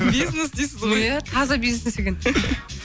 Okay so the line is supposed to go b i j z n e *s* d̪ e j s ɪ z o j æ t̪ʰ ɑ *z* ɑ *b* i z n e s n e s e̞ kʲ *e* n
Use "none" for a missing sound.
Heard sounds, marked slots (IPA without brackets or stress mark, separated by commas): s, z, b, e